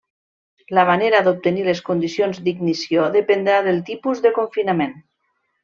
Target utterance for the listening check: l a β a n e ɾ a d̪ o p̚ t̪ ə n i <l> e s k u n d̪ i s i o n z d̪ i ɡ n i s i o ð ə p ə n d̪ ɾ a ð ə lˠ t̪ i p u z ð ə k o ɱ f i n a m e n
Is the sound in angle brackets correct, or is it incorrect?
correct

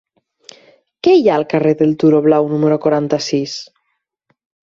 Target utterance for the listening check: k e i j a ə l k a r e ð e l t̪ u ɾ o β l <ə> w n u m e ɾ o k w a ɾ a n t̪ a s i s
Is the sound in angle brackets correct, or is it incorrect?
incorrect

